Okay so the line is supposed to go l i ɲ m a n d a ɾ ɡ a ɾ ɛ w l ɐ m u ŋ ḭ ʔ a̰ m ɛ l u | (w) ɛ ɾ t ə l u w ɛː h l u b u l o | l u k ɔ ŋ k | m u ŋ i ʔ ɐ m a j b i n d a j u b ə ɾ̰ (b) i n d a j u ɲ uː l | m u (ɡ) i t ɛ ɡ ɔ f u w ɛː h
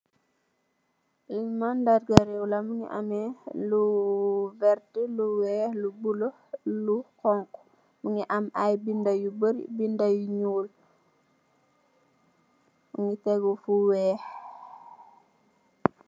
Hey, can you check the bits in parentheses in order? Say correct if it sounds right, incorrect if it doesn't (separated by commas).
incorrect, correct, incorrect